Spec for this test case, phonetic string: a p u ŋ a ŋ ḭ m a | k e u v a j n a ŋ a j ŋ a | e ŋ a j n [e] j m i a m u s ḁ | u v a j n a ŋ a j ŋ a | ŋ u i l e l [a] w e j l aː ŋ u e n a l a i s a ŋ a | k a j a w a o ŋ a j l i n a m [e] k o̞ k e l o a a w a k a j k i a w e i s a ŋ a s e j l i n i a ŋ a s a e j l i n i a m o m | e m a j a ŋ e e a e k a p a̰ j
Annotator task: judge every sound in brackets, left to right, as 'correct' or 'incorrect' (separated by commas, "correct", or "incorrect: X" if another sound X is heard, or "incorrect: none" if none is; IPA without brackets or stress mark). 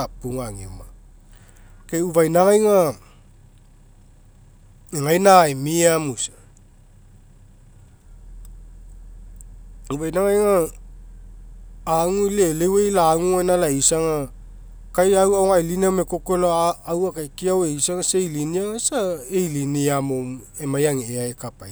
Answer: incorrect: a, incorrect: e, correct